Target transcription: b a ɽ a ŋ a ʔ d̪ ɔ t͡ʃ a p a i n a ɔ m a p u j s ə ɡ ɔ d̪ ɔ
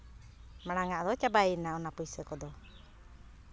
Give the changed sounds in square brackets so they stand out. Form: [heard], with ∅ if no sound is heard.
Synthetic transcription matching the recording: [m] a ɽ a ŋ a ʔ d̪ ɔ t͡ʃ a [b] a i n a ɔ [n] a p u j s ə [k] ɔ d̪ ɔ